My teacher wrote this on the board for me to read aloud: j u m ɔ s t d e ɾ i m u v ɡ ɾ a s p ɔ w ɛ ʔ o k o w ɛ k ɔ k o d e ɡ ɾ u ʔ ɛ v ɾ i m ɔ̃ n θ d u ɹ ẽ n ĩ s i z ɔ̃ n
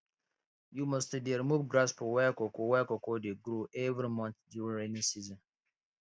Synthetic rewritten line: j u m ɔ s t d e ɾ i m u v ɡ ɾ a s p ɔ w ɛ k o k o w ɛ k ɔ k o d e ɡ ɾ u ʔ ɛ v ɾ i m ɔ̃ n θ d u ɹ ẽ n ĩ s i z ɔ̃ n